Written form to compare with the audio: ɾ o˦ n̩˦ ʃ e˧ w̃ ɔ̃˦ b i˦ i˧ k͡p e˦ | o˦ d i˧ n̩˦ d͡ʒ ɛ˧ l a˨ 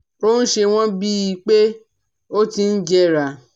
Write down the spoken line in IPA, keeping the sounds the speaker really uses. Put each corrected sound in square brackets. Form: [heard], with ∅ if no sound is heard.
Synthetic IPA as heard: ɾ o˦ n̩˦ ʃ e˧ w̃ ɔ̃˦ b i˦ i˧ k͡p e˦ | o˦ [t] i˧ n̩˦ d͡ʒ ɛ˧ [ɾ] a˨